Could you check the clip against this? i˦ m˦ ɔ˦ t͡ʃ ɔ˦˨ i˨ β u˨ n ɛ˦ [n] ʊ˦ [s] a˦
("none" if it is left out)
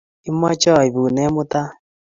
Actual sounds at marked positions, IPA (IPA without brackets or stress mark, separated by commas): m, t